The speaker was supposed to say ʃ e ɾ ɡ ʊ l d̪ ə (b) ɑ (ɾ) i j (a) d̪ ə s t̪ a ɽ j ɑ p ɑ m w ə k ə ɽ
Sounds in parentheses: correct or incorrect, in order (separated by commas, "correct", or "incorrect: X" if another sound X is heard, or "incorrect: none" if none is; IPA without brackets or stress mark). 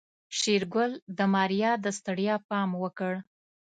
incorrect: m, correct, incorrect: ɑ